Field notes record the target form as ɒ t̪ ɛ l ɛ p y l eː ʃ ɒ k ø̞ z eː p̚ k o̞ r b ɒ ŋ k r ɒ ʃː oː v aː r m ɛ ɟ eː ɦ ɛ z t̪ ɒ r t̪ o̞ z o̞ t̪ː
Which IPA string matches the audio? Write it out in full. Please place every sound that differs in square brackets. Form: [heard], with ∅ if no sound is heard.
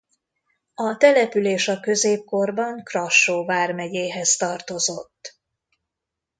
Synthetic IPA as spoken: ɒ t̪ ɛ l ɛ p y l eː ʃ ɒ k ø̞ z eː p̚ k o̞ r b ɒ ŋ k r ɒ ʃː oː v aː r m ɛ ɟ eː ɦ ɛ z t̪ ɒ r t̪ o̞ z o̞ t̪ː